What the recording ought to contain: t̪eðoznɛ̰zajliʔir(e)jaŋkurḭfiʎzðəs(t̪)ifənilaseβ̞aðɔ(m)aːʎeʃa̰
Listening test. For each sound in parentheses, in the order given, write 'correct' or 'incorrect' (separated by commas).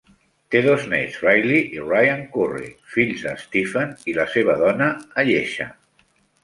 incorrect, correct, incorrect